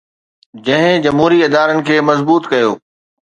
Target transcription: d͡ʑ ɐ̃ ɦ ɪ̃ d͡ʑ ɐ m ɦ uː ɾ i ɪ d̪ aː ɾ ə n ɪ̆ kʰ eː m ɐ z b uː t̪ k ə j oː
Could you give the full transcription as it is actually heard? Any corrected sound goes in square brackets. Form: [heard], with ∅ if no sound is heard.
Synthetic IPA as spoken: d͡ʑ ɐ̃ ɦ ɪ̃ d͡ʑ ɐ m ɦ uː ɾ i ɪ d̪ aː ɾ ə n ɪ̆ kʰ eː m ɐ z b uː t̪ k [ɐ] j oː